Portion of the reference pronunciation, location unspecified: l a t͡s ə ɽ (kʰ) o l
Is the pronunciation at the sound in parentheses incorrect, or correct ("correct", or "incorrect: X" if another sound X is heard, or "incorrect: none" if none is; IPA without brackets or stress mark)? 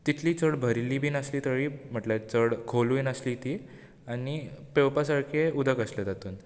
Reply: correct